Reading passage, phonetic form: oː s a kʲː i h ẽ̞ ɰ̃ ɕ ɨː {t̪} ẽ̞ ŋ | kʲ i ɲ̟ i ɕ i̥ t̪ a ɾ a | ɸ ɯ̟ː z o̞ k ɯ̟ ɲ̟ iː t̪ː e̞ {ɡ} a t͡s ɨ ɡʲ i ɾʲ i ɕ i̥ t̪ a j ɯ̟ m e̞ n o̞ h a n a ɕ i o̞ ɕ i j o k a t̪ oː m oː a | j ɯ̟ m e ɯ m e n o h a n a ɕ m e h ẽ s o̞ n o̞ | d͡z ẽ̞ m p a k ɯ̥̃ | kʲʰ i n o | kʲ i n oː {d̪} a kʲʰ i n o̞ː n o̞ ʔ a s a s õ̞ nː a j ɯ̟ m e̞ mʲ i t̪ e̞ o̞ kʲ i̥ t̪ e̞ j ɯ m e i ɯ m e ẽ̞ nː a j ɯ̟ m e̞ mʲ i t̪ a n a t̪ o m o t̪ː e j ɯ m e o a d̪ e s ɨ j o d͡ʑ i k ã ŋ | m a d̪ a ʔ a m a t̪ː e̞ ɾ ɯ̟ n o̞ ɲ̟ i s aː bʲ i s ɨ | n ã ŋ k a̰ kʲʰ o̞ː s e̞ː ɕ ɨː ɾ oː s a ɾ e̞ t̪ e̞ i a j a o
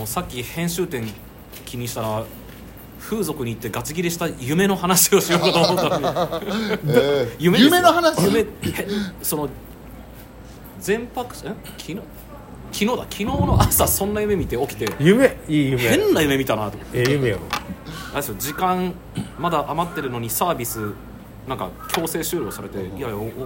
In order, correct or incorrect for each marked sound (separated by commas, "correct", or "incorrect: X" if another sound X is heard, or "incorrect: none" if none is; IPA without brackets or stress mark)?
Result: correct, correct, correct